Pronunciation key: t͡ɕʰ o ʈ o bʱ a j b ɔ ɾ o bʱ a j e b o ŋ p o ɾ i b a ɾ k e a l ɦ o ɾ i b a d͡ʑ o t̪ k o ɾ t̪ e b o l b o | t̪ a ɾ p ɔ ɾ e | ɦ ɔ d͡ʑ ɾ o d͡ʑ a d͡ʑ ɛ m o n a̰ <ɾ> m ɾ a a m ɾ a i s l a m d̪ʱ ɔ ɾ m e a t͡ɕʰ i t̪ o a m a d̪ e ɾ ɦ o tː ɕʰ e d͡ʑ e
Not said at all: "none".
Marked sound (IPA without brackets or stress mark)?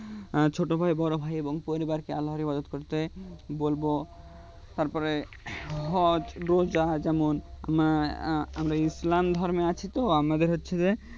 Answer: none